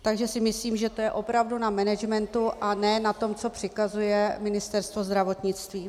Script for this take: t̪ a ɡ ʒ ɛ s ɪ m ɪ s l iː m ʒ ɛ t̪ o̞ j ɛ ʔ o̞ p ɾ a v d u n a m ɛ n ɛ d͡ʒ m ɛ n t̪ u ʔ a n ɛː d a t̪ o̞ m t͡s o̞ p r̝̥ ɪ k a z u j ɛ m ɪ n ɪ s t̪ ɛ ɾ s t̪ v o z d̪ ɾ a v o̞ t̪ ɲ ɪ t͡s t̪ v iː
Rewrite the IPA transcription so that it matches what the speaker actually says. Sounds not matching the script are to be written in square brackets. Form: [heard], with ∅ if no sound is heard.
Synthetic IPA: t̪ a ɡ ʒ ɛ s ɪ m ɪ s l iː m ʒ ɛ t̪ o̞ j ɛ ʔ o̞ p ɾ a v d u n a m ɛ n ɛ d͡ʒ m ɛ n t̪ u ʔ a n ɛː [n] a t̪ o̞ m t͡s o̞ p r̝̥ ɪ k a z u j ɛ m ɪ n ɪ s t̪ ɛ ɾ s t̪ v o z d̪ ɾ a v o̞ t̪ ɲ ɪ t͡s t̪ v iː